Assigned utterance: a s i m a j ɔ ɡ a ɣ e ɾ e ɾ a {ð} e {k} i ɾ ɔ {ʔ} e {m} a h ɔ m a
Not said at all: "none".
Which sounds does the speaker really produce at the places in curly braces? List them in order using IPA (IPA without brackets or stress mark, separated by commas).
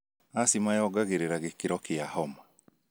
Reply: ɣ, k, k, none